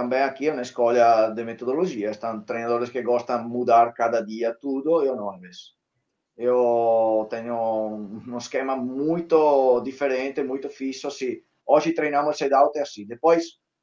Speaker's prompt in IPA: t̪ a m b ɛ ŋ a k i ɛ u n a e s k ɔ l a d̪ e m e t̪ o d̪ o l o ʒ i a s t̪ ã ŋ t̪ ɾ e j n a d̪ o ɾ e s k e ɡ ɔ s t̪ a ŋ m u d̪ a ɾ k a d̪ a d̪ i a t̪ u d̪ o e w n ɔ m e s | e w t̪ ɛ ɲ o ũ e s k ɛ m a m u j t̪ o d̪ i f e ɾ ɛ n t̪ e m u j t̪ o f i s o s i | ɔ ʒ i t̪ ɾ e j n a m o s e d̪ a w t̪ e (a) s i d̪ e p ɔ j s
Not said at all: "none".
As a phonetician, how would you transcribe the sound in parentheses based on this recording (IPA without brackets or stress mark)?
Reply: a